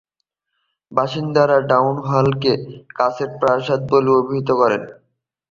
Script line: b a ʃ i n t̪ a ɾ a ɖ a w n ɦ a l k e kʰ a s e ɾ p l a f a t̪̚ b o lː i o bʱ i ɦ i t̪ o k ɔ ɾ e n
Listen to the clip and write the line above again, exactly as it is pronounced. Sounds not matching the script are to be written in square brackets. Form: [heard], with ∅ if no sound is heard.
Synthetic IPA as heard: b a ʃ i n [d̪] a ɾ a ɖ a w n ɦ a l k e [k] a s e ɾ p [ɾ] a [ʃ] a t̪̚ b o [l] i o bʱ i ɦ i t̪ o k ɔ ɾ e n